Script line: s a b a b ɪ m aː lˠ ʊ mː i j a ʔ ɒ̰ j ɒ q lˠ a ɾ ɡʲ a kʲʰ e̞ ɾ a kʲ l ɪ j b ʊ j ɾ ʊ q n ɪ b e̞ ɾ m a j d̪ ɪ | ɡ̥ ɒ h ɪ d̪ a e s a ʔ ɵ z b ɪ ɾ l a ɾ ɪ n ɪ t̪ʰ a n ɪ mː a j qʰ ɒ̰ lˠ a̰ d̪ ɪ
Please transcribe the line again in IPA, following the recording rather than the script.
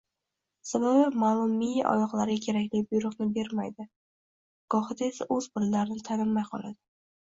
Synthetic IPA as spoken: s a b a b ɪ m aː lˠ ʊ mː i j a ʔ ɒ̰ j ɒ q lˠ a ɾ ɡʲ a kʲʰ e̞ ɾ a kʲ l ɪ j b ʊ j ɾ ʊ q n ɪ b e̞ ɾ m a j d̪ ɪ | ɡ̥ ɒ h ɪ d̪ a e s a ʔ ɵ z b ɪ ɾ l a ɾ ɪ n ɪ t̪ʰ a n ɪ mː a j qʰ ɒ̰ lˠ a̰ d̪ ɪ